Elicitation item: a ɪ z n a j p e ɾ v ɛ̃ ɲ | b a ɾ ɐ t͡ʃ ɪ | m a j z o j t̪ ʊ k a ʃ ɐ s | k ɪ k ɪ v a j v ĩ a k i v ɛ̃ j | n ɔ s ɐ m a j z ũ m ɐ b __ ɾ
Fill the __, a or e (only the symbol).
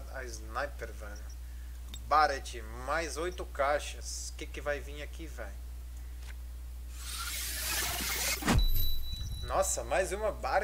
a